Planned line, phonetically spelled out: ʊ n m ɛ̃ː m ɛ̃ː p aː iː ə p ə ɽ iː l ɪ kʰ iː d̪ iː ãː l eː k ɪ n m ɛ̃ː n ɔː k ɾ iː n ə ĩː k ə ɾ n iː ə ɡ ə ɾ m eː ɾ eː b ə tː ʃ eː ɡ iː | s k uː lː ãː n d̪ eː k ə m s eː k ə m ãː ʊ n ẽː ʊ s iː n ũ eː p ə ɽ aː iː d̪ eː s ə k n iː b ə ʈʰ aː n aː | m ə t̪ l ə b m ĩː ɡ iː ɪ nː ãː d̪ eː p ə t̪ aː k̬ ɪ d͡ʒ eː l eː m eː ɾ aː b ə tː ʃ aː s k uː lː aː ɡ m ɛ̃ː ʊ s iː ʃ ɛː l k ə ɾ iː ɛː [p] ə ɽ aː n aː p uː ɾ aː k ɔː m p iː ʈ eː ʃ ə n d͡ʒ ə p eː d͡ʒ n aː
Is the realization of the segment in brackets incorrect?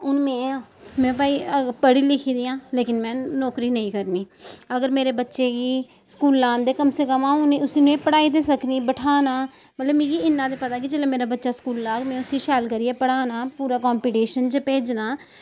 no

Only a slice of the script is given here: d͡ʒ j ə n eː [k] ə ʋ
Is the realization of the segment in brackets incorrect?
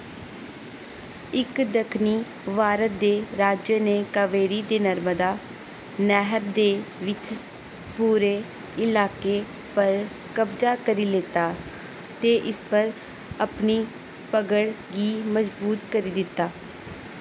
no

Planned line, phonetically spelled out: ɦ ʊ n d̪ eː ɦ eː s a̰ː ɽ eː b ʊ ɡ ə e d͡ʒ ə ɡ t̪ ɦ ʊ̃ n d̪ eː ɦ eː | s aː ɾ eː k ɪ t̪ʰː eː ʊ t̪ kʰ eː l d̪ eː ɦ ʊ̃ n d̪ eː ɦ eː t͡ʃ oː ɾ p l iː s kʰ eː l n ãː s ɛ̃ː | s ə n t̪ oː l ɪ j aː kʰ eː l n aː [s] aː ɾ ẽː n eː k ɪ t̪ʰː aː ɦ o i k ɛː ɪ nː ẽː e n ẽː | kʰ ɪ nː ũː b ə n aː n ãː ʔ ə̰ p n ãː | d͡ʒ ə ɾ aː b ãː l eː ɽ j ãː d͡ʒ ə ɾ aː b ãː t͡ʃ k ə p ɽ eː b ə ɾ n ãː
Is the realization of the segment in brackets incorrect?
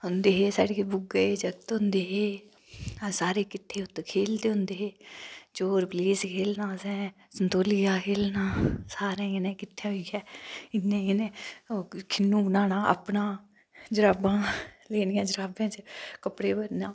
no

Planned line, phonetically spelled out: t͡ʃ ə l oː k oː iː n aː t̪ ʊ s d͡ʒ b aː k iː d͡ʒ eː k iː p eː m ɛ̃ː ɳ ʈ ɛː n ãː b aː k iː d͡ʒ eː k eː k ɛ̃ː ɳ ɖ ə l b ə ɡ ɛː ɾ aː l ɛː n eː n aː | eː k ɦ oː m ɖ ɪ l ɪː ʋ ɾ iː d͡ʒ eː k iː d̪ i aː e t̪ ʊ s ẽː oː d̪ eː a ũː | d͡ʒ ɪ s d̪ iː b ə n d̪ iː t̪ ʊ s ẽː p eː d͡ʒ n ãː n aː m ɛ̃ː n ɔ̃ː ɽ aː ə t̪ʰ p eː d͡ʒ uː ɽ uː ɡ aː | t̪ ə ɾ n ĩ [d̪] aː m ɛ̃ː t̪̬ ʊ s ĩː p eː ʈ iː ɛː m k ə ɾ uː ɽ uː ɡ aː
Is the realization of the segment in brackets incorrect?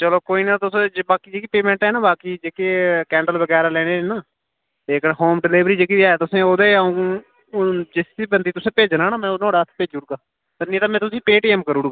yes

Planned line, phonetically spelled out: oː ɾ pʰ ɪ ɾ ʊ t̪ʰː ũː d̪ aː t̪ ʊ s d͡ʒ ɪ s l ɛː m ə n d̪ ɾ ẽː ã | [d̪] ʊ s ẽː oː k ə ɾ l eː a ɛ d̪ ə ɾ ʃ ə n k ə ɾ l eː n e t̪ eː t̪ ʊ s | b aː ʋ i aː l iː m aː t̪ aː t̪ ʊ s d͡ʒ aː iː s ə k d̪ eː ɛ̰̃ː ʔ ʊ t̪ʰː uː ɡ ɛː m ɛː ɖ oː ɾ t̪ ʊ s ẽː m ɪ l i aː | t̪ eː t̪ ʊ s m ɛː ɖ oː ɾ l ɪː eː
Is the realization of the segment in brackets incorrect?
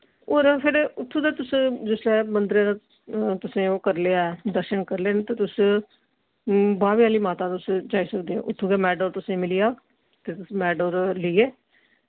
yes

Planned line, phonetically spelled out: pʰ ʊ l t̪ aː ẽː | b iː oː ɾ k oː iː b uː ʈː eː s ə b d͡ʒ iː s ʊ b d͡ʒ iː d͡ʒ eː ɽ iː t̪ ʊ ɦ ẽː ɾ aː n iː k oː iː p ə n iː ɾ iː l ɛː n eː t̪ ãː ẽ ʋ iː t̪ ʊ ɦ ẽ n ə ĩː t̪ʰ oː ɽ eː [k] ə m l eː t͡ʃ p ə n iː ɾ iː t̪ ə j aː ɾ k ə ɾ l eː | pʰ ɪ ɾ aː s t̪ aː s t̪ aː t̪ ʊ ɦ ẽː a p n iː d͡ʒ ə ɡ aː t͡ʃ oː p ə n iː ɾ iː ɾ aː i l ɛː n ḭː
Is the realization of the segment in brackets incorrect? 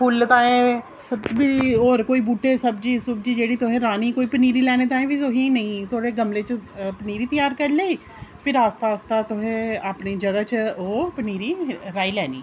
yes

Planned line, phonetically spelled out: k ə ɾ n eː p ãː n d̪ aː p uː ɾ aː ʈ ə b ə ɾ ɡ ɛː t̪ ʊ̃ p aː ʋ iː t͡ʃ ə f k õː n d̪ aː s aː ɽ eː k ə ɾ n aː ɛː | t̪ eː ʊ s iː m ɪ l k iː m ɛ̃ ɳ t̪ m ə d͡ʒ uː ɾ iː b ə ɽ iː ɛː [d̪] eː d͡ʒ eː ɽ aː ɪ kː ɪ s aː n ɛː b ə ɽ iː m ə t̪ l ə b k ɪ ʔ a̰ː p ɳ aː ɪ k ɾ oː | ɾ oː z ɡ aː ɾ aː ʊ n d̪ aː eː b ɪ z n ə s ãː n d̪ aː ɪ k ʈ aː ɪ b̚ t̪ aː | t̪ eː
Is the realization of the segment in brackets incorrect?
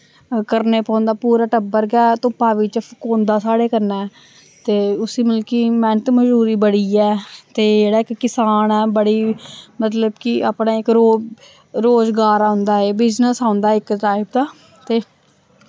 yes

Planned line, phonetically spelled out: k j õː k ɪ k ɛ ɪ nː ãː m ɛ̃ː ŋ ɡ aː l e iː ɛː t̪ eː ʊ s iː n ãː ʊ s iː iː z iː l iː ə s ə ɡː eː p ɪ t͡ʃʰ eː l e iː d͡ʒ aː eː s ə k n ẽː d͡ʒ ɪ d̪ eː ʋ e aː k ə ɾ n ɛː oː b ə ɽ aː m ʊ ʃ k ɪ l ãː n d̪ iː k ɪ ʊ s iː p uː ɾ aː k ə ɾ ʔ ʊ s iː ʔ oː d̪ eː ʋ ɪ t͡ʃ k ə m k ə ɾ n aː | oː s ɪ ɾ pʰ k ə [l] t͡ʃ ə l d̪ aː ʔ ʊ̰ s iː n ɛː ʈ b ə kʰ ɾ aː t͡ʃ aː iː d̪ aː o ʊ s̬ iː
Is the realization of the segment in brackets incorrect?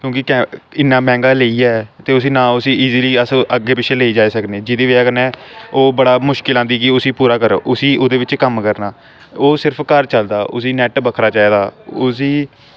yes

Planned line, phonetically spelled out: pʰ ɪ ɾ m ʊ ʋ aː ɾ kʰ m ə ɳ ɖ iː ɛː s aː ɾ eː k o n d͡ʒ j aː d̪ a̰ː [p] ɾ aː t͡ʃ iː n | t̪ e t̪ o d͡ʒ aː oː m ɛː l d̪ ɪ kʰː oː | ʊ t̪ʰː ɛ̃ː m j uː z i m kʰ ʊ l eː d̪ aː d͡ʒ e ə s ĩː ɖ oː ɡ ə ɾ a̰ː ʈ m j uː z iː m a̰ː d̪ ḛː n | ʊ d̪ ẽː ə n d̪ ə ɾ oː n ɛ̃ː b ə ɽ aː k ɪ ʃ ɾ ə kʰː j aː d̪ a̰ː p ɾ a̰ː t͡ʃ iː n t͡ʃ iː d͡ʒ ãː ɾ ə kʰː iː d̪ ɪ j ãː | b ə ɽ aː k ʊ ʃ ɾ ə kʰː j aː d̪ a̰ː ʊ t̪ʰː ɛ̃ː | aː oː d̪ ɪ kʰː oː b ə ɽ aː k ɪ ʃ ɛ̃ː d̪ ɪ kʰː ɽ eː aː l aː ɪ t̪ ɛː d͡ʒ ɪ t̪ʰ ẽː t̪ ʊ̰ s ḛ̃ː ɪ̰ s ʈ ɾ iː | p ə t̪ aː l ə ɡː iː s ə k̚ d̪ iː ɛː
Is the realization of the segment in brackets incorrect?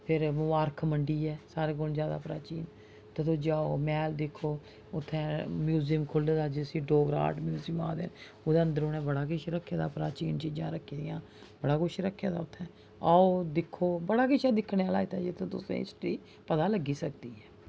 no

